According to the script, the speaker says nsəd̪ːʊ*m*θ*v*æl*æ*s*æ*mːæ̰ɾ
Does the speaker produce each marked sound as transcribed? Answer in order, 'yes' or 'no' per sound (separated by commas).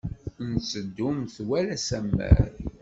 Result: yes, no, yes, yes